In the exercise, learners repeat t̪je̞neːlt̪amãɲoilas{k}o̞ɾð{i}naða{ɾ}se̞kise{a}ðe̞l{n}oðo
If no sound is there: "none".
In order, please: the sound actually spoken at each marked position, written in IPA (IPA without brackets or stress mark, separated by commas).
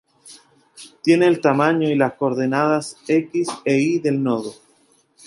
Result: k, e, none, i, n